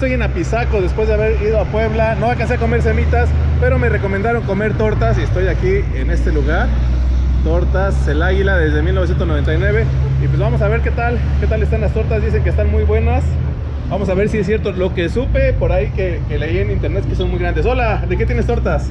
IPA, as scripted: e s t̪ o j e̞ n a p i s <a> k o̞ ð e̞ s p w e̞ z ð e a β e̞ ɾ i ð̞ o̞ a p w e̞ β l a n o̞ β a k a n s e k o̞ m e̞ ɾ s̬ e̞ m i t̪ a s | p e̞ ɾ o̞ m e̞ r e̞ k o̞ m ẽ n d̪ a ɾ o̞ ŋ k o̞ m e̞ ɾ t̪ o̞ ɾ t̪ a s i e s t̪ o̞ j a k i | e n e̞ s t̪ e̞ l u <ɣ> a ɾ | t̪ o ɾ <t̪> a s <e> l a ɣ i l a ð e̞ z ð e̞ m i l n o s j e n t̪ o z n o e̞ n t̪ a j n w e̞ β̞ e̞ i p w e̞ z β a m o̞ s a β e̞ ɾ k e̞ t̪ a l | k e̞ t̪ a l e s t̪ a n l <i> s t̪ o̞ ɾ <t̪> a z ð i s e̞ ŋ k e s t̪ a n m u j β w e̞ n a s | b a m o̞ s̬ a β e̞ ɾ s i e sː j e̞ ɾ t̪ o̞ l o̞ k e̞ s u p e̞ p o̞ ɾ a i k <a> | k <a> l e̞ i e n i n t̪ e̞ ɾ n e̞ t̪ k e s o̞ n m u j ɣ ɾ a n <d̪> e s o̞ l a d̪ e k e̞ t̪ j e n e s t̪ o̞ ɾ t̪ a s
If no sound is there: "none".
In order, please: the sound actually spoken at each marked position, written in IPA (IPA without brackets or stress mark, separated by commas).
a, ɣ, t̪, e, a, t̪, e, e, d̪